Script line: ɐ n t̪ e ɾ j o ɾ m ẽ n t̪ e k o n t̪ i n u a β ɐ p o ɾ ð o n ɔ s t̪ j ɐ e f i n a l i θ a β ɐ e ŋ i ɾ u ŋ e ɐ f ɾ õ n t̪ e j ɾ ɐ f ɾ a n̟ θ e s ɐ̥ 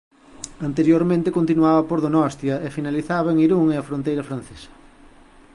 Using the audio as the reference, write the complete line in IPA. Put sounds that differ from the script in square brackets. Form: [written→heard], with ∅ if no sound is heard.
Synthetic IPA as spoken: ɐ n t̪ e ɾ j o ɾ m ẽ n t̪ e k o n t̪ i n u a β ɐ p o ɾ ð o n ɔ s t̪ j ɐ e f i n a l i θ a β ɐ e ŋ i ɾ u ŋ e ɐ f ɾ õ n t̪ e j ɾ ɐ f ɾ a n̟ θ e s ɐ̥